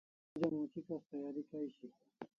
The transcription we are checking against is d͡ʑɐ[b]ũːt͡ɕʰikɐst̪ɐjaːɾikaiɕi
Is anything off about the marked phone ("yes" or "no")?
yes